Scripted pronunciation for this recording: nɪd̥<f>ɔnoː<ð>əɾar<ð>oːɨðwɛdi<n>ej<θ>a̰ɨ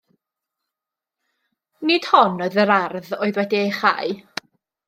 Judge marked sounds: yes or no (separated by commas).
no, yes, yes, no, no